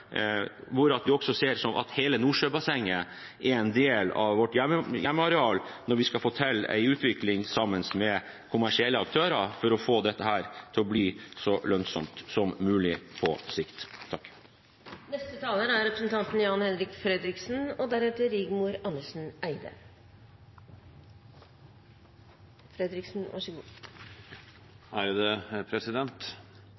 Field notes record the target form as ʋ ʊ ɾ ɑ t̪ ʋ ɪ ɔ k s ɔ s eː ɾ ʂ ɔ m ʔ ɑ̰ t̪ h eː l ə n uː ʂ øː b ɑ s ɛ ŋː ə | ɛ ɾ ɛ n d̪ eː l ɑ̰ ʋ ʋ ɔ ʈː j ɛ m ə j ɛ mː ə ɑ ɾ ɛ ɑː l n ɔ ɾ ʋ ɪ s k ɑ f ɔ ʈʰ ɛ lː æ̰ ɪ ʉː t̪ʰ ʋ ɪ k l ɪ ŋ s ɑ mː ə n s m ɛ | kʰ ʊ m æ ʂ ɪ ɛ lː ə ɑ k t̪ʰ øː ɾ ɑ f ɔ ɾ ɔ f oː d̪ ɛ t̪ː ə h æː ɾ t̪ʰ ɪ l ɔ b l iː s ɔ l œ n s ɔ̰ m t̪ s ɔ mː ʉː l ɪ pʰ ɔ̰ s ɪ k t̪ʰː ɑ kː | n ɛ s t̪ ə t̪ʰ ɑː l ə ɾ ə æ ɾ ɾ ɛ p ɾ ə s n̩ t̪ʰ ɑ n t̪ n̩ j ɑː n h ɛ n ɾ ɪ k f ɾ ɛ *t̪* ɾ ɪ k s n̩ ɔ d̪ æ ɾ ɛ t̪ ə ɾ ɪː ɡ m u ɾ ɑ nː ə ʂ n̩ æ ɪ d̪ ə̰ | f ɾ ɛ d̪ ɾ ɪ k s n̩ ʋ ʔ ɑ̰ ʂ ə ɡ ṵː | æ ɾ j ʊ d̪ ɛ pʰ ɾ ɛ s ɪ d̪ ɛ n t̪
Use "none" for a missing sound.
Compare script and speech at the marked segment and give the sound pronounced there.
d̪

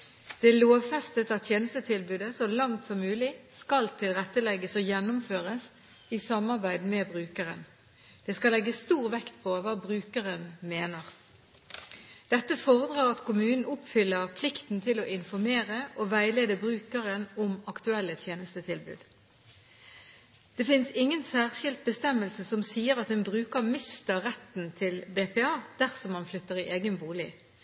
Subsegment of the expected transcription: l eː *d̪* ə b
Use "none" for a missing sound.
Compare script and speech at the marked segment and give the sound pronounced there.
d̪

